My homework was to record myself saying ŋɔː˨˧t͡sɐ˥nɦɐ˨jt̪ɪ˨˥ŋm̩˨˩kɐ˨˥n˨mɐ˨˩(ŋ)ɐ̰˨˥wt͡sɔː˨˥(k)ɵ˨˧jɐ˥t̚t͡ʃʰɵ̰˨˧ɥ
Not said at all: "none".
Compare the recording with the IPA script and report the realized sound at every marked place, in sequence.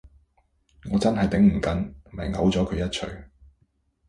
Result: ŋ, kʰ

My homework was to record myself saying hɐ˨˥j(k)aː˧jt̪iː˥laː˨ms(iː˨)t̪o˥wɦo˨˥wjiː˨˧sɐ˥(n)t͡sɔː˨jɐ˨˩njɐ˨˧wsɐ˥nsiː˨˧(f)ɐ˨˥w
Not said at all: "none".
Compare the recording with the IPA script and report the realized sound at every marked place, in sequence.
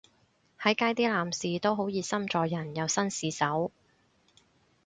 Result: k, iː˨, m, s

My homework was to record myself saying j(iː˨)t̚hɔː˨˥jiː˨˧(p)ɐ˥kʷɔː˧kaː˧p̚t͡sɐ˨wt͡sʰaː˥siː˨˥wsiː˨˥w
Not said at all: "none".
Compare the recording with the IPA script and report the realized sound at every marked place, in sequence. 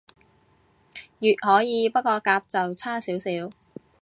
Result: yː˨, p

